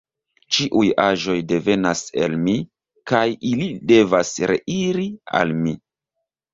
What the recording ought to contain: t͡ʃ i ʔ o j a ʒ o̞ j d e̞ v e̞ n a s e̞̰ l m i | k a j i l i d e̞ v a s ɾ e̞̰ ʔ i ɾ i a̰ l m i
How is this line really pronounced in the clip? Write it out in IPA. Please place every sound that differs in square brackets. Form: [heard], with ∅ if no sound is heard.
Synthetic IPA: t͡ʃ i ʔ [u] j a ʒ o̞ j d e̞ v e̞ n a s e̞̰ l m i | k a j i l i d e̞ v a s ɾ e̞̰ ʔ i ɾ i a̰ l m i